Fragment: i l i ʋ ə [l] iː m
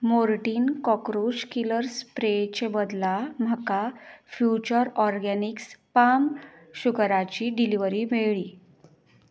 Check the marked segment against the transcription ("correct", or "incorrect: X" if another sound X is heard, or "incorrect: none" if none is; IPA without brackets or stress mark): incorrect: ɾ